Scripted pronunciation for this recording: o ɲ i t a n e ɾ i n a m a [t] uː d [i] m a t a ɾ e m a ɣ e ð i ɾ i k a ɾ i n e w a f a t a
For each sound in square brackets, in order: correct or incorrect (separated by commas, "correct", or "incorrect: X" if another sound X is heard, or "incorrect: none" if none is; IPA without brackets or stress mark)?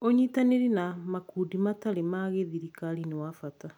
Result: incorrect: k, correct